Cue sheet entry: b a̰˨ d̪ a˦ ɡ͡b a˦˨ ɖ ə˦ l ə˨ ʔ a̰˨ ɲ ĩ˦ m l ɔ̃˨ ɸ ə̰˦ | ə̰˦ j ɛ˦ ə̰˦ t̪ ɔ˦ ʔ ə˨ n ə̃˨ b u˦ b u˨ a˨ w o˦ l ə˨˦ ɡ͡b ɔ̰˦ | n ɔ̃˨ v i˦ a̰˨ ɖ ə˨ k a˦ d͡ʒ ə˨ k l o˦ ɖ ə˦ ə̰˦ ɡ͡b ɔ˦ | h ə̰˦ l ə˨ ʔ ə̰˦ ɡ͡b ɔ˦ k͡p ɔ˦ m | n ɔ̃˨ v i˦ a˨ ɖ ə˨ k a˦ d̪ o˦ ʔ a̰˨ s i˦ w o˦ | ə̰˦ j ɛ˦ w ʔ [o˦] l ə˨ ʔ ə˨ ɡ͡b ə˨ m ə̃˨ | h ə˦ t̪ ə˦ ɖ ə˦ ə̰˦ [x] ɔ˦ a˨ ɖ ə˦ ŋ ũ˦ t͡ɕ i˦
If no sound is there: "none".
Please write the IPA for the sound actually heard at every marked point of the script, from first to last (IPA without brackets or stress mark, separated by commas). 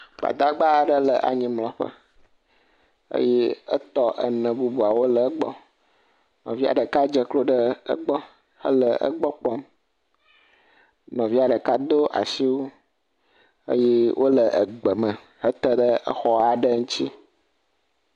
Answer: o˦, x